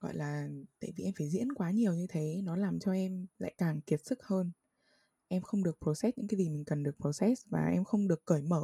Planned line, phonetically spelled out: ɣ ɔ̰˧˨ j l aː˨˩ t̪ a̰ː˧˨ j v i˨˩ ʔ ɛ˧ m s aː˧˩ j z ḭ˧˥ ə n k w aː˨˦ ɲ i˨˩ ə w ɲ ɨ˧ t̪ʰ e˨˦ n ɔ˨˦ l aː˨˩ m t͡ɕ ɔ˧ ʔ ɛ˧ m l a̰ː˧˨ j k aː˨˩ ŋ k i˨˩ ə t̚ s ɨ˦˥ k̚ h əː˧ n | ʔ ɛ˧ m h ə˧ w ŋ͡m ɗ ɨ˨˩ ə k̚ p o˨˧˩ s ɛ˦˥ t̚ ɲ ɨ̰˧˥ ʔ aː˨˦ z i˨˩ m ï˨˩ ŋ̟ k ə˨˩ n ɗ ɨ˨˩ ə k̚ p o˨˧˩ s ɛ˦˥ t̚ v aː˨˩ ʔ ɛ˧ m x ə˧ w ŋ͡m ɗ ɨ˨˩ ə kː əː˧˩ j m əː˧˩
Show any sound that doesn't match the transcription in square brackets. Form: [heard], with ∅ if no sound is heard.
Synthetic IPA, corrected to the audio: ɣ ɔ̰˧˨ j l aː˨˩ t̪ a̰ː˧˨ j v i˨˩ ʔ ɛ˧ m [f] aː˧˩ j z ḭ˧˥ ə n k w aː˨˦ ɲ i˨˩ ə w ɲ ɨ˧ t̪ʰ e˨˦ n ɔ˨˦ l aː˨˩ m t͡ɕ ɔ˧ ʔ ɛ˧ m l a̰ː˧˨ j k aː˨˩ ŋ k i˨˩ ə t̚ s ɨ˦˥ k̚ h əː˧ n | ʔ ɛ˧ m [x] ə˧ w ŋ͡m ɗ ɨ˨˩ ə k̚ p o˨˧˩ s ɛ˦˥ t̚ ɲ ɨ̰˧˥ [k] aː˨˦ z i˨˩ m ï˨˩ ŋ̟ k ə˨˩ n ɗ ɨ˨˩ ə k̚ p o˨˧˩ s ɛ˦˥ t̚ v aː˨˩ ʔ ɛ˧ m x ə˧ w ŋ͡m ɗ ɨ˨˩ ə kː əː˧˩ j m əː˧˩